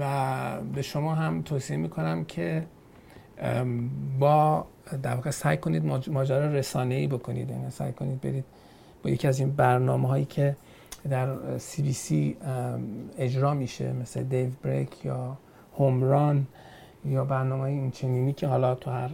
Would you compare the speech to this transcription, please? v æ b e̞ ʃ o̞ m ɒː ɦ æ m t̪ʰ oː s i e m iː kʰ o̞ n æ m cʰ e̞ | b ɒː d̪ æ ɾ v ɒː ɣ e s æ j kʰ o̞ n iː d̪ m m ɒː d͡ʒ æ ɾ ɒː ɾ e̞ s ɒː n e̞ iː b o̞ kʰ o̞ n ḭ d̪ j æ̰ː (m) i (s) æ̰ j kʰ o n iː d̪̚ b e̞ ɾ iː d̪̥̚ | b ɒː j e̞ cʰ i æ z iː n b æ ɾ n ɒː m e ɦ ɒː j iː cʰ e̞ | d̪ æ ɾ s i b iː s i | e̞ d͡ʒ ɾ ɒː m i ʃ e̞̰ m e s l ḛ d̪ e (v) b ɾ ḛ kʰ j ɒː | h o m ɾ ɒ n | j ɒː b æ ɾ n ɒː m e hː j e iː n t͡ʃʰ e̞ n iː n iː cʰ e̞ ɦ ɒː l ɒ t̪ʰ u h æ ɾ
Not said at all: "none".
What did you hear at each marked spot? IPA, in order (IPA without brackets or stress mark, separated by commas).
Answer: n, s, v